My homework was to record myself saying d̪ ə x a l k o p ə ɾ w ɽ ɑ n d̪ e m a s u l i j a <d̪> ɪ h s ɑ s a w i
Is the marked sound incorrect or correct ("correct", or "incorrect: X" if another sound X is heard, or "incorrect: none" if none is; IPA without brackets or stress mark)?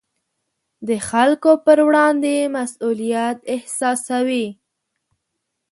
incorrect: t̪